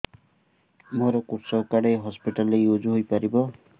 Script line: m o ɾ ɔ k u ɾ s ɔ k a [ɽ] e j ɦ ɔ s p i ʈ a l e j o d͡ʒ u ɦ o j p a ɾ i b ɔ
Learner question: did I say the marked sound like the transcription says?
yes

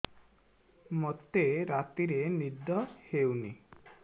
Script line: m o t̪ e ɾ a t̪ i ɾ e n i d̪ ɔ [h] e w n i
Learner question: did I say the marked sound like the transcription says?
yes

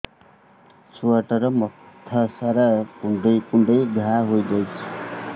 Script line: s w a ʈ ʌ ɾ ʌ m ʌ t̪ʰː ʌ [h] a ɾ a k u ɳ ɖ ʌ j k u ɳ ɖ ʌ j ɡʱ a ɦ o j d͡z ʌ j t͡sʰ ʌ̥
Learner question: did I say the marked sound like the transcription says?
no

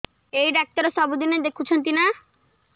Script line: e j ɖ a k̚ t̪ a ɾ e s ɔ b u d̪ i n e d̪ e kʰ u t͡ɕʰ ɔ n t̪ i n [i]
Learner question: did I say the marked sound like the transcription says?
no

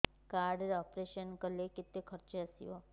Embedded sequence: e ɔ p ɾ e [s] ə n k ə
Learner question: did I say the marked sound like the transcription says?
no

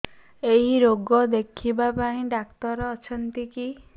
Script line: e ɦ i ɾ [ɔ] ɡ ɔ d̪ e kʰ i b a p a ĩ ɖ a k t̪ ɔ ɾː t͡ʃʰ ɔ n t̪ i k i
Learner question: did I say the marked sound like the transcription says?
no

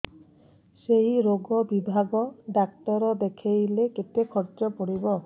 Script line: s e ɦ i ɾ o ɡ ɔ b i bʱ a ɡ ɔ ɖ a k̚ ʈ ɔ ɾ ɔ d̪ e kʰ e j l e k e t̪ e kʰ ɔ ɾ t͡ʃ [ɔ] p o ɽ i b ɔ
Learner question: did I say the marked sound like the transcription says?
yes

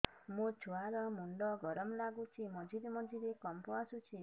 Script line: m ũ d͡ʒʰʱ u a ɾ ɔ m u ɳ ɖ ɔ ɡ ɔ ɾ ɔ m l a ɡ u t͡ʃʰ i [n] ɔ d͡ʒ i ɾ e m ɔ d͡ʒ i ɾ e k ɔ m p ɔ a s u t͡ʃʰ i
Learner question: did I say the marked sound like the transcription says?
no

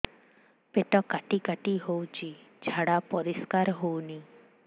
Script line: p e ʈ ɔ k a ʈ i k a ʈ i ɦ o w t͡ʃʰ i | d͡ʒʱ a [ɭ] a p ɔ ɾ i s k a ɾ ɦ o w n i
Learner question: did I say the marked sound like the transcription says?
no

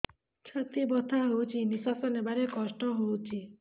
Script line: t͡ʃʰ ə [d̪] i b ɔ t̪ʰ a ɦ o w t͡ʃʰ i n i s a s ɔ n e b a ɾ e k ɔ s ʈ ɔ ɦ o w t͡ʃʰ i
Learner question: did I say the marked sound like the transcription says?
no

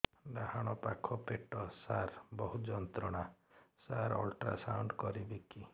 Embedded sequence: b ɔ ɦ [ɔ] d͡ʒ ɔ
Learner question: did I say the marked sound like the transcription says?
no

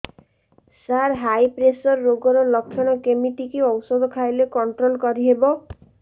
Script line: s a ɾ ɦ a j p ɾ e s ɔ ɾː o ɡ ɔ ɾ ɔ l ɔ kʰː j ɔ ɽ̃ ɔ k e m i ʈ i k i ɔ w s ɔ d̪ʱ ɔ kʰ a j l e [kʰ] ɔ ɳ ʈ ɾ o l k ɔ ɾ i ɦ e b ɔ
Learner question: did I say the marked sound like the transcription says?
no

